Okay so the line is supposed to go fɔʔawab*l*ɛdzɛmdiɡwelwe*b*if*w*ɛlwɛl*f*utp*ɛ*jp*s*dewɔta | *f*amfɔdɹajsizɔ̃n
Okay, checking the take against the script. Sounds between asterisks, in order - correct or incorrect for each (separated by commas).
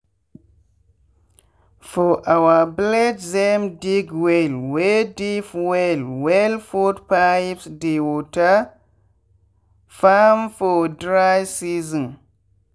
correct, incorrect, correct, correct, incorrect, correct, correct